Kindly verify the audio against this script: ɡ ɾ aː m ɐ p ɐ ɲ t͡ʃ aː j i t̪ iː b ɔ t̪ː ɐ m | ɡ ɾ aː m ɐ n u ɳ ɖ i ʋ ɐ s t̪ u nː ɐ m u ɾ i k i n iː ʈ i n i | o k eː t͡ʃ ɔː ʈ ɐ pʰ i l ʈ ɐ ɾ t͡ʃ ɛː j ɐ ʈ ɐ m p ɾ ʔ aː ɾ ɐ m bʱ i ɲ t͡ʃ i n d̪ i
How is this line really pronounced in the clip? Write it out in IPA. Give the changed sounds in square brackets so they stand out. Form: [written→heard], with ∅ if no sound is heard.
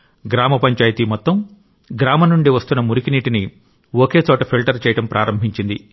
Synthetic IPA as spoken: ɡ ɾ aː m ɐ p ɐ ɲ t͡ʃ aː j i t̪ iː [b→m] ɔ t̪ː ɐ m | ɡ ɾ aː m ɐ n u ɳ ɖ i ʋ ɐ s t̪ u nː ɐ m u ɾ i k i n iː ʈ i n i | o k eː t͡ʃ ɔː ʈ ɐ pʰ i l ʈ ɐ ɾ t͡ʃ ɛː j ɐ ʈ ɐ m p ɾ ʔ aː ɾ ɐ m bʱ i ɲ t͡ʃ i n d̪ i